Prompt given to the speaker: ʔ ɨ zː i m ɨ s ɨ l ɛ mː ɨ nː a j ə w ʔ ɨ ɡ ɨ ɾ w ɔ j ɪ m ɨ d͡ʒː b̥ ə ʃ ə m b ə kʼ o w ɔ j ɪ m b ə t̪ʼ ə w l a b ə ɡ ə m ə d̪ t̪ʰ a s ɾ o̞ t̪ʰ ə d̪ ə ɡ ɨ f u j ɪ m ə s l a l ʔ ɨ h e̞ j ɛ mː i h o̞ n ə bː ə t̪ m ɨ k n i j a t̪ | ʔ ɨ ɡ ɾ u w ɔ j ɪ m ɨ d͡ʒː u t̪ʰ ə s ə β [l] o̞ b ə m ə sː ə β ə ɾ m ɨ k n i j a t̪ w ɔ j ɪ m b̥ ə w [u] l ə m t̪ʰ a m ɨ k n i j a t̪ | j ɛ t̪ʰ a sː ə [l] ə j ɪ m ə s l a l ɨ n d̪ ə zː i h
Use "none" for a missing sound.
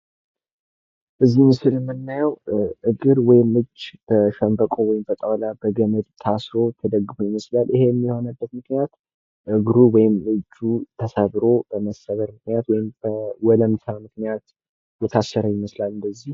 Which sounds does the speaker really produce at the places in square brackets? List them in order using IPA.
ɾ, ɔ, ɾ

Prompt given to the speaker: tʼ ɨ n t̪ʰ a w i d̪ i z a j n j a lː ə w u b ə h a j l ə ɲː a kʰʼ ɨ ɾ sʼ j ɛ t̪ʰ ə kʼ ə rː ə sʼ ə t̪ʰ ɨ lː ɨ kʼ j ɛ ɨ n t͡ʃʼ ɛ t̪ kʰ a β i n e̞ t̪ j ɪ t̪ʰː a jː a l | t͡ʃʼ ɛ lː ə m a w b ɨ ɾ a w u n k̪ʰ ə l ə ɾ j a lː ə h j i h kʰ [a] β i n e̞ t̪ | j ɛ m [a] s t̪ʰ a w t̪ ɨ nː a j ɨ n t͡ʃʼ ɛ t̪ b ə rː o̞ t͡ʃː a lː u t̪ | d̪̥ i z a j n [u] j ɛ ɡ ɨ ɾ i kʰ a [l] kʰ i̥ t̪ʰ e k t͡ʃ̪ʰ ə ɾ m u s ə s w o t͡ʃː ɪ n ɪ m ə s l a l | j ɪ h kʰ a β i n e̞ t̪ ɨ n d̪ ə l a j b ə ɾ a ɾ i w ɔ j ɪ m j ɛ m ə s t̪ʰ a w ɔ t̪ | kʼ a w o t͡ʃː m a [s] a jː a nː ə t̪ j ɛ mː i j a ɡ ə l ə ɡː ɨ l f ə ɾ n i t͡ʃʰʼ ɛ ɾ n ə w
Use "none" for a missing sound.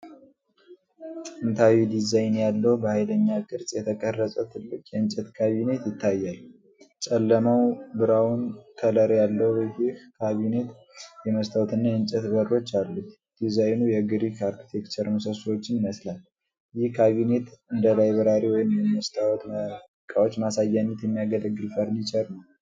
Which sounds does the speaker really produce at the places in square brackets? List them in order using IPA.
a, ə, u, ɾ, s

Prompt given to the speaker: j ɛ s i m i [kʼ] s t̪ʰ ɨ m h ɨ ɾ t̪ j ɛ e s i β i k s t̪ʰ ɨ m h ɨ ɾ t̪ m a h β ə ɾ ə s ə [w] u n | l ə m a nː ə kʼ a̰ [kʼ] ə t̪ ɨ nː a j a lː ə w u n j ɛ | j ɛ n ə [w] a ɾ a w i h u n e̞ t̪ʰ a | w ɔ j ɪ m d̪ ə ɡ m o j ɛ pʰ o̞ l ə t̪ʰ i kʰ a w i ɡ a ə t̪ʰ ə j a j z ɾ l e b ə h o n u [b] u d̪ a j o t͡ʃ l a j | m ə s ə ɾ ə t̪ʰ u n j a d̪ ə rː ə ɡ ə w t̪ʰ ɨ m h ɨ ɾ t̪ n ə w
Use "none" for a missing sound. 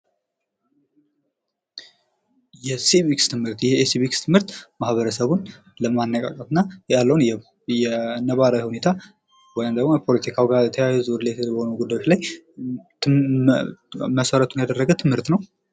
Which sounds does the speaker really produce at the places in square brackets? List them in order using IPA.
k, β, kʼ, β, ɡ

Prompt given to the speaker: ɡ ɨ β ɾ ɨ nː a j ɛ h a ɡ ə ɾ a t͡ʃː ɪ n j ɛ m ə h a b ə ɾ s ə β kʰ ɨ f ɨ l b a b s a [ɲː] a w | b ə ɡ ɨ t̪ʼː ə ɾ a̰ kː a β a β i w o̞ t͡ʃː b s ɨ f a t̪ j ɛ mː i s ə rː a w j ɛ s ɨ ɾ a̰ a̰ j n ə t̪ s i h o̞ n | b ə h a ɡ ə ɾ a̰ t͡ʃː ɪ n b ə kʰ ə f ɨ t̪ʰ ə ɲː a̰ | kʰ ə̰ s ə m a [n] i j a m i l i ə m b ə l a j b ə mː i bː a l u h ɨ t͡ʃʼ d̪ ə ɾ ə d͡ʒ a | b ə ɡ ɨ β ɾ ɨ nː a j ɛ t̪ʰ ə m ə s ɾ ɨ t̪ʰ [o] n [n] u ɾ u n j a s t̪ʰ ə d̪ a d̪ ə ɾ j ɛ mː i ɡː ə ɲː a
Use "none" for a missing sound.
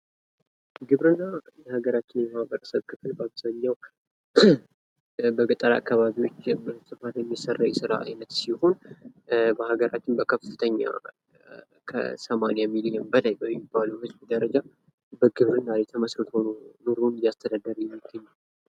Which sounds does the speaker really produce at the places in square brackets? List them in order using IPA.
ɲː, n, o, n

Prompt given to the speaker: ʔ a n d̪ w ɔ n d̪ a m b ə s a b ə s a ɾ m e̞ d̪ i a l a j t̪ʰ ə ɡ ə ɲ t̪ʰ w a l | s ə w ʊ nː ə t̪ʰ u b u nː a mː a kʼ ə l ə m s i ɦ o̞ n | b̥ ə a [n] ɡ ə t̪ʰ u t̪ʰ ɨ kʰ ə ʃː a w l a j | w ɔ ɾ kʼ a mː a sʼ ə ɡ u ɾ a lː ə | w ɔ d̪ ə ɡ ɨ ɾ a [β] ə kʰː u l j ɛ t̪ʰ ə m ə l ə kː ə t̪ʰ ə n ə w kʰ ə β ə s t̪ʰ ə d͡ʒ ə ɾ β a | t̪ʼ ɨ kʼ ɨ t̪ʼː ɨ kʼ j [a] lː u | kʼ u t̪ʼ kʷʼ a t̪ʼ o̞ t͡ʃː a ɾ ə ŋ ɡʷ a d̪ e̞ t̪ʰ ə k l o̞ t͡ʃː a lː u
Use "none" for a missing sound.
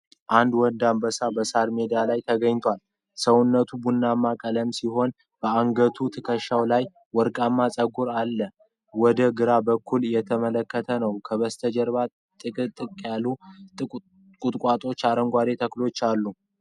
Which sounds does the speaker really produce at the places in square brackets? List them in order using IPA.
ŋ, b, a

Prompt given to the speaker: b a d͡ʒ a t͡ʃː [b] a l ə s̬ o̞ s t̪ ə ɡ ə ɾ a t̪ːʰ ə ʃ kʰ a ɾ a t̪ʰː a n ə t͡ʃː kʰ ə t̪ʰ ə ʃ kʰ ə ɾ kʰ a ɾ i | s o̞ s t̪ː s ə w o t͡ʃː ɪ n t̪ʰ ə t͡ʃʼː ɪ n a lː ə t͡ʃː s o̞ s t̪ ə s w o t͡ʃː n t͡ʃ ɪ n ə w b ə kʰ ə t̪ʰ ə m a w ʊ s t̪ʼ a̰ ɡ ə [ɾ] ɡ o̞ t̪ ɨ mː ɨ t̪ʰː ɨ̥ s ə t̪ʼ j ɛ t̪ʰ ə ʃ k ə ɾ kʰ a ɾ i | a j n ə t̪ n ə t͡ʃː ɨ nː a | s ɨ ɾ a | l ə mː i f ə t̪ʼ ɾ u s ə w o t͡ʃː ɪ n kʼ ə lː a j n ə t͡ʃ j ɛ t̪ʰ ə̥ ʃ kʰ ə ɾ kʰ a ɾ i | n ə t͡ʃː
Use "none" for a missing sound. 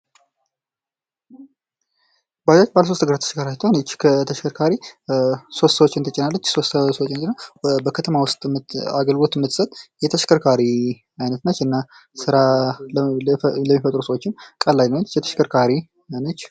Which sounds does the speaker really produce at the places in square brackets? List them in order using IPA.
b, l

